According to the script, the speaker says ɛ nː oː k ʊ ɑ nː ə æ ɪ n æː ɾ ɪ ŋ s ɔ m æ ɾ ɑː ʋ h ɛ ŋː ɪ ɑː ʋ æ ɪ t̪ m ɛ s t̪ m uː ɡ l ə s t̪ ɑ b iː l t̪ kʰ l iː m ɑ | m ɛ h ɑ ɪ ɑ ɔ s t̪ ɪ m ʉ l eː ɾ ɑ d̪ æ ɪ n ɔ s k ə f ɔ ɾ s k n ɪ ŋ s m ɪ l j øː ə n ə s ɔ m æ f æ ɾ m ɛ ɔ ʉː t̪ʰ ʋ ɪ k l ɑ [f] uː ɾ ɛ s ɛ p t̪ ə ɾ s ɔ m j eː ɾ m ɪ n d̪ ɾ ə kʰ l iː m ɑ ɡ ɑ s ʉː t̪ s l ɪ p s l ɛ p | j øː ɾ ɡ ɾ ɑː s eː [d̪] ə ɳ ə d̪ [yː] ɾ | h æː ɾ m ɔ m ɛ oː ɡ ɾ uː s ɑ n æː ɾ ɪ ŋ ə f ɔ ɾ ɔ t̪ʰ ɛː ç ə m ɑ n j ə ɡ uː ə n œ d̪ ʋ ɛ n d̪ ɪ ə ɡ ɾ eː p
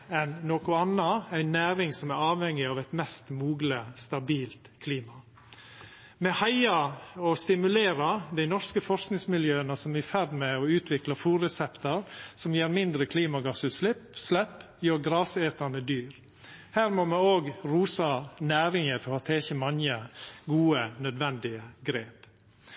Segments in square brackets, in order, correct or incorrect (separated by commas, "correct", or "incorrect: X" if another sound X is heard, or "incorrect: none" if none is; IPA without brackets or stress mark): correct, incorrect: t̪, correct